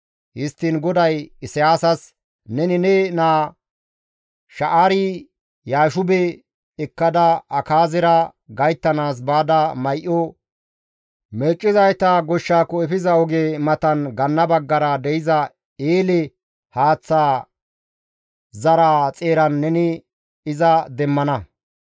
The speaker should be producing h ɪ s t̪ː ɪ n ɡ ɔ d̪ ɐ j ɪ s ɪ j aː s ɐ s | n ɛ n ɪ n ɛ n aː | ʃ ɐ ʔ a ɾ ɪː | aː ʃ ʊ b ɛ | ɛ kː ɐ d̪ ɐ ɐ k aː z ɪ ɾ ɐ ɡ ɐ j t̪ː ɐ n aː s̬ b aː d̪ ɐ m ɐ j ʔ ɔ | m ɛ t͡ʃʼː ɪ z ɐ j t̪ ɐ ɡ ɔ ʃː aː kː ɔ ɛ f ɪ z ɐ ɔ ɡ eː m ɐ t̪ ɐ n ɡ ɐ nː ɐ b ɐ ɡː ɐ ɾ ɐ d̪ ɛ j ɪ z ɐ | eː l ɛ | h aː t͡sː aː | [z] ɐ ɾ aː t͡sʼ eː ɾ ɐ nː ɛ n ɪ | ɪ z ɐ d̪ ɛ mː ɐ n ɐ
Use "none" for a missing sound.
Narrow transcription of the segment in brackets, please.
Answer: z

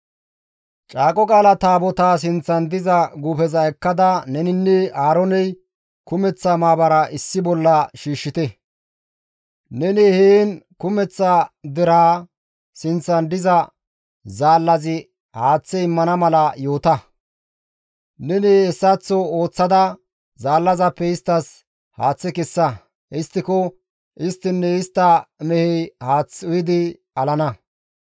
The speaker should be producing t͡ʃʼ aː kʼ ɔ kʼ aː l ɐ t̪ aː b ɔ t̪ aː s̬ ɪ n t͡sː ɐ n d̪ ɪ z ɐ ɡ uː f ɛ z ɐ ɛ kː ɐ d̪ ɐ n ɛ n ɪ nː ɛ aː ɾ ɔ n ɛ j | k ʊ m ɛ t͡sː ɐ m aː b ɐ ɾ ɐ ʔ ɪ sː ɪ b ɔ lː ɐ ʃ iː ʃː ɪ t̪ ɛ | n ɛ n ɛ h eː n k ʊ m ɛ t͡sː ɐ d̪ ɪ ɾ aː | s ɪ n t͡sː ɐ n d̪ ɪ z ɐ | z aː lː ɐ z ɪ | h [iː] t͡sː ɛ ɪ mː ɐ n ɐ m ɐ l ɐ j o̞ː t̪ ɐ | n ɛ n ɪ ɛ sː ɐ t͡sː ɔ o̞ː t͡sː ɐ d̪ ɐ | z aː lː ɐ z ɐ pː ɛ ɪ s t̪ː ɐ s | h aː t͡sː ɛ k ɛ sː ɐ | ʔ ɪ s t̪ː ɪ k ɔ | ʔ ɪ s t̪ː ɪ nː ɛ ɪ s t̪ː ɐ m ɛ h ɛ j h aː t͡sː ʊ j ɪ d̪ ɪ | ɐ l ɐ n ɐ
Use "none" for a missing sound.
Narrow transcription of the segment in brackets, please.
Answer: aː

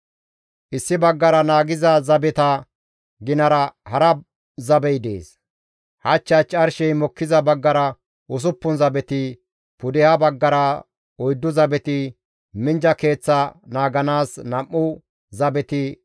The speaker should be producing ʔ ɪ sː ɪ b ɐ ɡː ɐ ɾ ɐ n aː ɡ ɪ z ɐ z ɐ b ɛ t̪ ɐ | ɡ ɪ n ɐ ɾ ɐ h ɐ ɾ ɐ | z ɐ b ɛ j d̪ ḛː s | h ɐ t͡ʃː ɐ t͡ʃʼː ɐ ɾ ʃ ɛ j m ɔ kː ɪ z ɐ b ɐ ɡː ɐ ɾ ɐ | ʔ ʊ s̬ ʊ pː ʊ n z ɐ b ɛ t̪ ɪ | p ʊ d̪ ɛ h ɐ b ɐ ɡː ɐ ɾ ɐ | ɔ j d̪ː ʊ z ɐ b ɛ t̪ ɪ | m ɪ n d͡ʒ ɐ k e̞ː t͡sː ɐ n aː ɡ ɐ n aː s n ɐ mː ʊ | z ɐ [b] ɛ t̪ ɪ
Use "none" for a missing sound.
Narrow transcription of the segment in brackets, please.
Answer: b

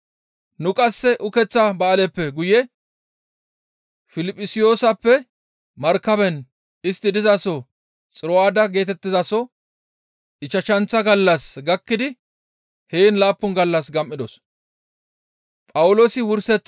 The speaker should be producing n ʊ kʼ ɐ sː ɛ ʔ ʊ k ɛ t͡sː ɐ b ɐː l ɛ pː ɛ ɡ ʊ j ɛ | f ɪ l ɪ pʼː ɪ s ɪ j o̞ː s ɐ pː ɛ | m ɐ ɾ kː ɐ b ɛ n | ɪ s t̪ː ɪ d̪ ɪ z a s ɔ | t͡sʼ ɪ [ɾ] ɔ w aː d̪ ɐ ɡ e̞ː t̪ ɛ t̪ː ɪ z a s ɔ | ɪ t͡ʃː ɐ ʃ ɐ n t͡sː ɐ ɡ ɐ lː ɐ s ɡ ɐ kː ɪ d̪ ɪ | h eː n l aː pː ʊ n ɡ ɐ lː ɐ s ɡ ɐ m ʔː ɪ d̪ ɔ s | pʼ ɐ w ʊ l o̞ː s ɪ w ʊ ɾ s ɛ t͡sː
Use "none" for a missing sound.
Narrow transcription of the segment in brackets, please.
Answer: ɾ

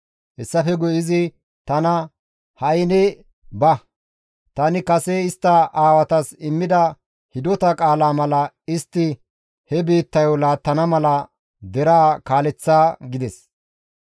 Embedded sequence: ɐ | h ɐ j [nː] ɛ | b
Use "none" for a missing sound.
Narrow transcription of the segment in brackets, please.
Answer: n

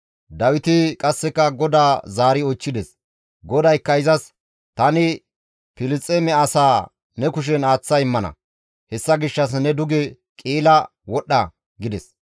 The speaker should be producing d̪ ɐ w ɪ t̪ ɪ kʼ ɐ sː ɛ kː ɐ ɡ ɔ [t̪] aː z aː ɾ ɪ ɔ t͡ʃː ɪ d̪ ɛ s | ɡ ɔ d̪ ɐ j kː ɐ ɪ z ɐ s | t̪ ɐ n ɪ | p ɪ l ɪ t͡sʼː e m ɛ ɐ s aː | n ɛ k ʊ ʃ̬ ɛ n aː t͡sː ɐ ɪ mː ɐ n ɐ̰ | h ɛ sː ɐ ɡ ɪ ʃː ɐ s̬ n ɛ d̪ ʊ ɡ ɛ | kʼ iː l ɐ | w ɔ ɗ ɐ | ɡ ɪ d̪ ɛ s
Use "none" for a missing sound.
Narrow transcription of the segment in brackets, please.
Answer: d̪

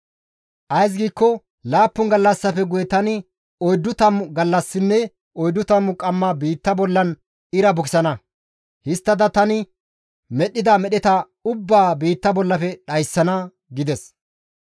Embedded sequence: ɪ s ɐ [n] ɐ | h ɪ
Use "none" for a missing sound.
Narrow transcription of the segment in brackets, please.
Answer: n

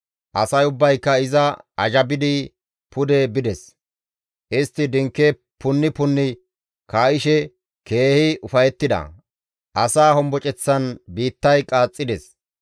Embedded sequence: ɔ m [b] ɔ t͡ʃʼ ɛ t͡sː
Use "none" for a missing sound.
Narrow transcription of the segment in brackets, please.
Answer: b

